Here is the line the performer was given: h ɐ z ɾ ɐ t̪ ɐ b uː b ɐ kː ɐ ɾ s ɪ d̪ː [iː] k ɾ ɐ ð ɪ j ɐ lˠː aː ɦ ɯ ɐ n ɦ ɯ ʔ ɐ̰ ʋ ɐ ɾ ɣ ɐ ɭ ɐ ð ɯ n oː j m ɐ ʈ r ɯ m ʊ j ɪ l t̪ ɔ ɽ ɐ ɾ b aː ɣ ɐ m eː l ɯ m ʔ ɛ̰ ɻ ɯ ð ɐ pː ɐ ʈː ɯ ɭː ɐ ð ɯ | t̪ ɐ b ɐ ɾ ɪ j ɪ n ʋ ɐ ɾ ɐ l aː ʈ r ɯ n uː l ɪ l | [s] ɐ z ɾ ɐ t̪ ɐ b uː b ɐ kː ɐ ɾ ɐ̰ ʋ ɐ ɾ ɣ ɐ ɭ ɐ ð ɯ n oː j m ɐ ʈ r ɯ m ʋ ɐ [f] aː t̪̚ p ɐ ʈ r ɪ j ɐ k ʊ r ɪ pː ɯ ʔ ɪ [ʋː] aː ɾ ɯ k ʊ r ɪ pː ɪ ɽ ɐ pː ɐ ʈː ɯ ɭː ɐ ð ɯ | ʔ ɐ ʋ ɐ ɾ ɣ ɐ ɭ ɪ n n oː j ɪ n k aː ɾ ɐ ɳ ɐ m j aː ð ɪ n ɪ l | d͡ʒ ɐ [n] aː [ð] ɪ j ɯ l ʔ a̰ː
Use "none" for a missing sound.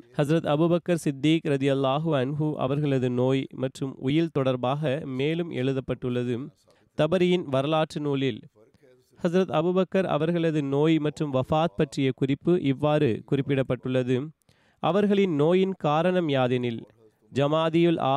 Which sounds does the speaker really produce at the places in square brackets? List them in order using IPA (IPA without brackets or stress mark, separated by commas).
iː, h, f, ʋː, m, ð